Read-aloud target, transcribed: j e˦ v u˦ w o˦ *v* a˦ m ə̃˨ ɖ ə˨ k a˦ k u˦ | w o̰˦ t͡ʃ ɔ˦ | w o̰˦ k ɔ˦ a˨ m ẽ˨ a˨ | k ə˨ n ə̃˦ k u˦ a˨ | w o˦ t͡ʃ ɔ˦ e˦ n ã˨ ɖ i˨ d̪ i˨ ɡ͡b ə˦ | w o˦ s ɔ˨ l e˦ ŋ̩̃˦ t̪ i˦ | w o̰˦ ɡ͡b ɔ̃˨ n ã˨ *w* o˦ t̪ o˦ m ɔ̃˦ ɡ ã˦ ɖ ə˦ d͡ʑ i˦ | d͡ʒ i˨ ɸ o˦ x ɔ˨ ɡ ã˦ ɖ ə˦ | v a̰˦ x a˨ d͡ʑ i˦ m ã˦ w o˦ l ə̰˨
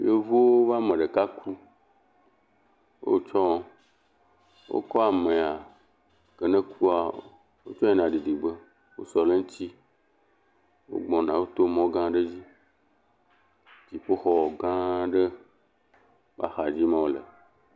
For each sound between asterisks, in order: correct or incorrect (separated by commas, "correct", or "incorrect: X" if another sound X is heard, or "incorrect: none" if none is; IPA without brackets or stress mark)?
correct, correct